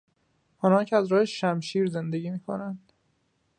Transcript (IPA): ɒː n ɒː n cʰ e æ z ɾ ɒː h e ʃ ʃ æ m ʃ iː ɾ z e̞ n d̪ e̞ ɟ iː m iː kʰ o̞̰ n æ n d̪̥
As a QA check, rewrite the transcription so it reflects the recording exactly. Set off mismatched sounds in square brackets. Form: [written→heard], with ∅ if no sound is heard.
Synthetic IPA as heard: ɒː n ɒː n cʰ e æ z ɾ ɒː h e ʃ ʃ æ m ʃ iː ɾ z e̞ n d̪ e̞ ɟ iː m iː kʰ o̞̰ n æ n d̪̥

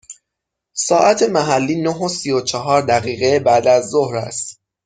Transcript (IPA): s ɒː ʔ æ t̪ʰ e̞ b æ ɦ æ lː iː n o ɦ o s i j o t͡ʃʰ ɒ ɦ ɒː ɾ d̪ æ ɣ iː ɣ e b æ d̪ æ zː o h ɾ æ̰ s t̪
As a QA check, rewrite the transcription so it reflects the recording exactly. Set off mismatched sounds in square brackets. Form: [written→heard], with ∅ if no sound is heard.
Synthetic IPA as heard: s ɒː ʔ æ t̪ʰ e̞ [b→m] æ ɦ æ lː iː n o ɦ o s i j o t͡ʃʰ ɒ ɦ ɒː ɾ d̪ æ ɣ iː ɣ e b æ d̪ æ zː o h ɾ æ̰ s t̪

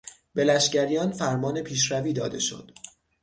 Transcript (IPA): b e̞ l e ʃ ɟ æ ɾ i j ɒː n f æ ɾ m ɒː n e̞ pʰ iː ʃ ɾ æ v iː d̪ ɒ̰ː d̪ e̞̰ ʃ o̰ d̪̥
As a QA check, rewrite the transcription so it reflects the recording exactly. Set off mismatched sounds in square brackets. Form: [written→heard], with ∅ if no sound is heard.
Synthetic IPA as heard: b e̞ l [e→æ] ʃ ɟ æ ɾ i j ɒː n f æ ɾ m ɒː n e̞ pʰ iː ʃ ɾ æ v iː d̪ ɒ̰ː d̪ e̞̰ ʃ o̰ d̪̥

